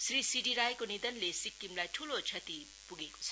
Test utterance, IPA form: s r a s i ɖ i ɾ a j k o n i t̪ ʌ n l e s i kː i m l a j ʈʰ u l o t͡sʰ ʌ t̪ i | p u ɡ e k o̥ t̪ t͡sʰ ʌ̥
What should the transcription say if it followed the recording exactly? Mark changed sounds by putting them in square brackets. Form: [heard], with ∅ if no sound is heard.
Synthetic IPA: s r [i] s i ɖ i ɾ a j k o n i [d̪] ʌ n l e s i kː i m l a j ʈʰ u l o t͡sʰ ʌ t̪ i | p u ɡ e k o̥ [∅] t͡sʰ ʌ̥